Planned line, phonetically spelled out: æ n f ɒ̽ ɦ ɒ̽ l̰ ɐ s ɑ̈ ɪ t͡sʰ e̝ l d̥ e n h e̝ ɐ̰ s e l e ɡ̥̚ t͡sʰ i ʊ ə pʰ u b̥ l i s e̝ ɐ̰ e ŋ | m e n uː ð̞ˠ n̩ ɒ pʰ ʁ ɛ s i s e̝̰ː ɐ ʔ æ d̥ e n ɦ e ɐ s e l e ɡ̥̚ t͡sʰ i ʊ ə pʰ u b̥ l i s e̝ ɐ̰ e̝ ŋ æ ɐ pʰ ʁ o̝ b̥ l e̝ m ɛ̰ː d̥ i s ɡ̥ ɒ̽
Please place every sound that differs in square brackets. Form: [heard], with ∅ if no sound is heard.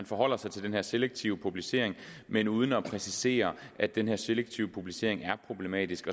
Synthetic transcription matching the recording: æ n f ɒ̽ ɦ ɒ̽ l̰ ɐ s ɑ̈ ɪ t͡sʰ e̝ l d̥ e n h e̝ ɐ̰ s e l e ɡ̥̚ t͡sʰ i ʊ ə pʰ u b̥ l i s e̝ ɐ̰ e ŋ | m e n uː ð̞ˠ n̩ ɒ pʰ ʁ ɛ s i s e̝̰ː ɐ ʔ æ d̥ e n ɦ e ɐ s e l e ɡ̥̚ t͡sʰ i ʊ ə pʰ u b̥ l i s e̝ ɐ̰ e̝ ŋ æ ɐ pʰ ʁ o̝ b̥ l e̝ m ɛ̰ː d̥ i s ɡ̥ ɒ̽

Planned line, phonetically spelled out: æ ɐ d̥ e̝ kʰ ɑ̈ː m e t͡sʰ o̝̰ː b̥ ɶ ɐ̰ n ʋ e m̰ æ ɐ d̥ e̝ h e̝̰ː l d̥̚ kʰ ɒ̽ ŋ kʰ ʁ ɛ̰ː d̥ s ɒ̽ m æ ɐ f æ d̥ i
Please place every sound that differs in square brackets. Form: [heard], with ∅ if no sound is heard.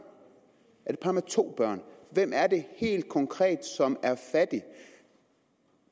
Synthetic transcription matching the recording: æ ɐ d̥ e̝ [pʰ] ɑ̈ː m e t͡sʰ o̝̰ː b̥ ɶ ɐ̰ n ʋ e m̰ æ ɐ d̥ e̝ h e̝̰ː l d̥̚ kʰ ɒ̽ ŋ kʰ ʁ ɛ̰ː d̥ s ɒ̽ m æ ɐ f æ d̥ i

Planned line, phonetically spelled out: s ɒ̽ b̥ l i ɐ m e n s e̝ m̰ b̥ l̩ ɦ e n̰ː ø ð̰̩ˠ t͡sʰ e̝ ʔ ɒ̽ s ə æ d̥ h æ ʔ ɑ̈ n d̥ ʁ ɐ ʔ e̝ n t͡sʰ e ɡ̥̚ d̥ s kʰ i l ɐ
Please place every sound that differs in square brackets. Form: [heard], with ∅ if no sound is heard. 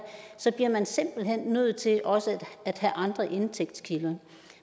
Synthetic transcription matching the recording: s ɒ̽ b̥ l i ɐ m [æ] n s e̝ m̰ b̥ l̩ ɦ e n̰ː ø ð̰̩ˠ t͡sʰ e̝ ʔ ɒ̽ s ə æ d̥ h æ ʔ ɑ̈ n d̥ ʁ ɐ ʔ e̝ n t͡sʰ e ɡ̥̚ d̥ s kʰ i l ɐ

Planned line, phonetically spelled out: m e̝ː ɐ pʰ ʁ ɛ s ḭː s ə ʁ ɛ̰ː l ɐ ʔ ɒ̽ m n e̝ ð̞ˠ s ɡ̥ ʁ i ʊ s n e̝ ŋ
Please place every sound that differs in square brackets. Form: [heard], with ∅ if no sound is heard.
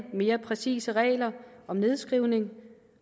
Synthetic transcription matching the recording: m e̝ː ɐ pʰ ʁ ɛ s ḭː s ə ʁ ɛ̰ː l ɐ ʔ ɒ̽ m n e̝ ð̞ˠ s ɡ̥ ʁ i ʊ [∅] n e̝ ŋ

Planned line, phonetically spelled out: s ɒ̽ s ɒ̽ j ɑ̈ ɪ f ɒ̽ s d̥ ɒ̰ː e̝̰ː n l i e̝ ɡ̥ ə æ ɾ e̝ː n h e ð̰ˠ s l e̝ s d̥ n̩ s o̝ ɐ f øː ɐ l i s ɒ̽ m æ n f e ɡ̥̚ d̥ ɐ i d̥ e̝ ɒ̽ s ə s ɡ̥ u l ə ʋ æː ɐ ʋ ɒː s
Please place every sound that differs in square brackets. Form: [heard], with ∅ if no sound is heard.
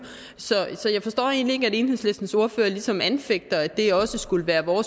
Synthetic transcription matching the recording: s ɒ̽ s ɒ̽ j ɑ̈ ɪ f ɒ̽ s d̥ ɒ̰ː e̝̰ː n l i e̝ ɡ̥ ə æ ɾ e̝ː n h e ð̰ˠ s l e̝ s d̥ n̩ s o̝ ɐ f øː ɐ l i s ɒ̽ m æ n f e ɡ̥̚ d̥ ɐ [æ] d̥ e̝ ɒ̽ s ə s ɡ̥ u l ə ʋ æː ɐ ʋ ɒː s

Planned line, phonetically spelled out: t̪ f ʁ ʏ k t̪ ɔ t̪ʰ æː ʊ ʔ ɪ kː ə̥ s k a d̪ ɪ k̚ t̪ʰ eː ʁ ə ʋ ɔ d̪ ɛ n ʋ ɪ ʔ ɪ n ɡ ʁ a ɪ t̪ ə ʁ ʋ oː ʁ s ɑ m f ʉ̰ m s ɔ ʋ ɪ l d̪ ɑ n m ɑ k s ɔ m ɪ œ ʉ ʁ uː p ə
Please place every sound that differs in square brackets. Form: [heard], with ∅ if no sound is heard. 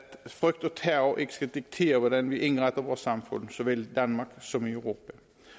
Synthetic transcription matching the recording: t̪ f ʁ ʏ k t̪ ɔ t̪ʰ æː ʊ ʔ ɪ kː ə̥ s k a d̪ ɪ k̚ t̪ʰ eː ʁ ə ʋ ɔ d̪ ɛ n ʋ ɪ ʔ ɪ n ɡ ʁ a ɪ t̪ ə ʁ ʋ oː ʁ s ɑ m f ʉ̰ [n] s ɔ ʋ ɪ l d̪ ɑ n m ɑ k s ɔ m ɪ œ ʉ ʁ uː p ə

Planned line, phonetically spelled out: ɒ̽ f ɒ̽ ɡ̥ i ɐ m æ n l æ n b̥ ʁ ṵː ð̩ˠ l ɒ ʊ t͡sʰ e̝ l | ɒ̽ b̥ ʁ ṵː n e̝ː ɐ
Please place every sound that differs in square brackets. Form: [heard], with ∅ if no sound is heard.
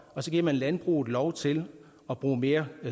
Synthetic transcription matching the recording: ɒ̽ [s] ɒ̽ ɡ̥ i ɐ m æ n l æ n b̥ ʁ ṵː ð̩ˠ l ɒ ʊ t͡sʰ e̝ l | ɒ̽ b̥ ʁ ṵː [m] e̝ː ɐ

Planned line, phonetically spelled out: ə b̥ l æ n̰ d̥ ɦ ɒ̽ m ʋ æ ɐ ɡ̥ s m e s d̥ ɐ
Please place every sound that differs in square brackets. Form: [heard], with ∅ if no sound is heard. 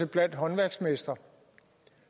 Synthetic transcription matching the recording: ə b̥ l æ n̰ d̥ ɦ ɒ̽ [n] ʋ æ ɐ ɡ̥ s m e s d̥ ɐ

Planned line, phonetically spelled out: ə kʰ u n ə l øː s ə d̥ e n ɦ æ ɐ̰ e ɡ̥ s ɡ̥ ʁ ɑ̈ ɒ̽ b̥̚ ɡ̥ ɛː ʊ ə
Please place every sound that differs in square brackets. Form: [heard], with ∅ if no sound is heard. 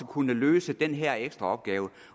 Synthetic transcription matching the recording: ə kʰ u n ə l øː s ə d̥ e n ɦ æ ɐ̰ e ɡ̥ s [d̥] ʁ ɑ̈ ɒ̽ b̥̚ ɡ̥ ɛː ʊ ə

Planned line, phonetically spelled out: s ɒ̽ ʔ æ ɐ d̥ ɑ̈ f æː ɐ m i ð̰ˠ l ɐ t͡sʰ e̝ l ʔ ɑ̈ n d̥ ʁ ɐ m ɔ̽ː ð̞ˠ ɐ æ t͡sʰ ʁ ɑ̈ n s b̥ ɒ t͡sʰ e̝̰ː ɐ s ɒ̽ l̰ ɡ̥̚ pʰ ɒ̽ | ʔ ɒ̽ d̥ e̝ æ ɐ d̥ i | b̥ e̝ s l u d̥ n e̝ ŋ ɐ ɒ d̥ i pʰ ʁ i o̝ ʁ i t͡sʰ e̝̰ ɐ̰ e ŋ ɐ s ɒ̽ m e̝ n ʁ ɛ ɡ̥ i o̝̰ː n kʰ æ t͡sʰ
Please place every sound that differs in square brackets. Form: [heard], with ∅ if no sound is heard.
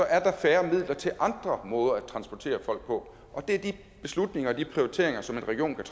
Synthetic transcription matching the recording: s ɒ̽ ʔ æ ɐ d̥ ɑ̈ f æː ɐ m i ð̰ˠ l ɐ t͡sʰ e̝ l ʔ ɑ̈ n d̥ ʁ ɐ m ɔ̽ː ð̞ˠ ɐ æ t͡sʰ ʁ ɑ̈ n s b̥ ɒ t͡sʰ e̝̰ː ɐ [f] ɒ̽ l̰ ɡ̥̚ pʰ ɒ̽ | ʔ ɒ̽ d̥ e̝ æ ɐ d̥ i | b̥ e̝ s l u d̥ n e̝ ŋ ɐ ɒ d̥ i pʰ ʁ i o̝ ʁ i t͡sʰ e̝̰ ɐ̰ e ŋ ɐ s ɒ̽ m e̝ n ʁ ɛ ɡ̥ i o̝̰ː n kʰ æ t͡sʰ

